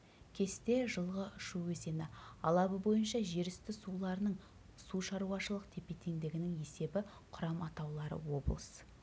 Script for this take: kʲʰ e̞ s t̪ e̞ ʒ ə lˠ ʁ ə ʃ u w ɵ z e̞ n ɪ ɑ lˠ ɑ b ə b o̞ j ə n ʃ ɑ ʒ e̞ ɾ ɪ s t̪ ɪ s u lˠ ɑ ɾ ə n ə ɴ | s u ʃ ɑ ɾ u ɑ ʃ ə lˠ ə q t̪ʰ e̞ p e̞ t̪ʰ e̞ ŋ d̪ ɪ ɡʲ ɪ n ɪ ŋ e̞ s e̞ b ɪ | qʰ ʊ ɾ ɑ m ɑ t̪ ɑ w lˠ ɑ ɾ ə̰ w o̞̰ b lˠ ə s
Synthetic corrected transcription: kʲʰ e̞ s t̪ e̞ ʒ ə lˠ ʁ ə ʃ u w ɵ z e̞ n ɪ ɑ lˠ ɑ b ə b o̞ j ə n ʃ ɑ ʒ e̞ ɾ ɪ s t̪ ɪ s u lˠ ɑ ɾ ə n ə ɴ | s u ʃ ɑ ɾ u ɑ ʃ ə lˠ ə q t̪ʰ e̞ p e̞ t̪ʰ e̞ ŋ d̪ ɪ ɡʲ ɪ n ɪ ŋ e̞ s e̞ b ɪ | qʰ ʊ ɾ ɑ m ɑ t̪ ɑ w lˠ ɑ ɾ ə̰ w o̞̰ b lˠ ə s